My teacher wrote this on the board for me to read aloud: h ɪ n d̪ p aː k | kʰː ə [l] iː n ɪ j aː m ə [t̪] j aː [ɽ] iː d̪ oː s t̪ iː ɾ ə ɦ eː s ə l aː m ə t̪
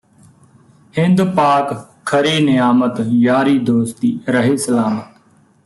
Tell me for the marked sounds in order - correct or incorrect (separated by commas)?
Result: incorrect, correct, incorrect